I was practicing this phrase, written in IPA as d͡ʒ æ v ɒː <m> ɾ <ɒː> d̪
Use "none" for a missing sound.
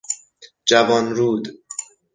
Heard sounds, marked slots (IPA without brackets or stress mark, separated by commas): n, uː